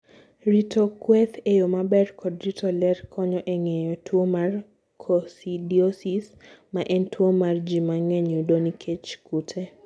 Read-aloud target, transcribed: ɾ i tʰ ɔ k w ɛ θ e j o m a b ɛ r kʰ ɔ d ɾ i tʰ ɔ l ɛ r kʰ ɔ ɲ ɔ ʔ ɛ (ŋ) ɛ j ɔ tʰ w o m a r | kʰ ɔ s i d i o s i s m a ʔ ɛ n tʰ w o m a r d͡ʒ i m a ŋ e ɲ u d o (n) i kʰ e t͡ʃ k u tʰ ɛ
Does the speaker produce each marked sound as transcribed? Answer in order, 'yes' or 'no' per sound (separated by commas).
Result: yes, yes